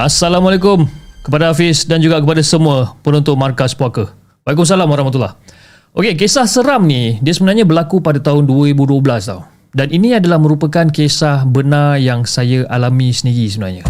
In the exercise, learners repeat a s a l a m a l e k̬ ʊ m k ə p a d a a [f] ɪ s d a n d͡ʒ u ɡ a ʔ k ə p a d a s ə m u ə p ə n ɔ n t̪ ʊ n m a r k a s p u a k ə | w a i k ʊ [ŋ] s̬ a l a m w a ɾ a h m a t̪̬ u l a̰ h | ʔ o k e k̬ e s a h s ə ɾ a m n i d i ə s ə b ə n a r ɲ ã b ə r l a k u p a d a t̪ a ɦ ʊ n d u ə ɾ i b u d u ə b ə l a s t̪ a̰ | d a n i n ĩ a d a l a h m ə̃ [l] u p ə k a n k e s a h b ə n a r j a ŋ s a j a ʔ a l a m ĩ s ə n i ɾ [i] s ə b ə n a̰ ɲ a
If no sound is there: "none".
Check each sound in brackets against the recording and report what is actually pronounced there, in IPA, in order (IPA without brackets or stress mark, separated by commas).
f, m, ɾ, i